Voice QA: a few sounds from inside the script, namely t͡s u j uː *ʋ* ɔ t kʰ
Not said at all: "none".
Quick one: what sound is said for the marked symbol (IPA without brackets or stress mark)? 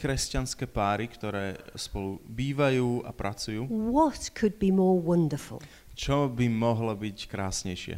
w